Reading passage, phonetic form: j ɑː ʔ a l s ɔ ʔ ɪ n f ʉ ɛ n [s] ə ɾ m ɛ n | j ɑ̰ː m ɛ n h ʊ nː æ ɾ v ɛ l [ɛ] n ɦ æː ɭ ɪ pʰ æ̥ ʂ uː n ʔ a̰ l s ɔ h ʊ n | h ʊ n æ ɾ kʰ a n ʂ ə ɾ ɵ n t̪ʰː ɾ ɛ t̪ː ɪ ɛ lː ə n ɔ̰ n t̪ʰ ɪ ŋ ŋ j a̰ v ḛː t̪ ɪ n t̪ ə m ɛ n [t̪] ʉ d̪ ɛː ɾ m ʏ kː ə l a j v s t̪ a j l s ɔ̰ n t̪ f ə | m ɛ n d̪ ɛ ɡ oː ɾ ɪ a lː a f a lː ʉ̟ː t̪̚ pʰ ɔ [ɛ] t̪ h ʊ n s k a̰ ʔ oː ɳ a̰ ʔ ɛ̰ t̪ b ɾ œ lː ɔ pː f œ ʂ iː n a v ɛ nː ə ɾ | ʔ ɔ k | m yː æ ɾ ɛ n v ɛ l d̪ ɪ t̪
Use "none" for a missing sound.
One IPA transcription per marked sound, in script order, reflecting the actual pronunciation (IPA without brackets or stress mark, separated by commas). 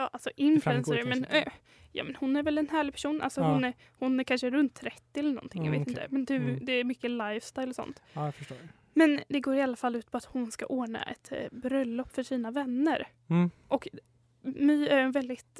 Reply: s, ɛ, d̪, a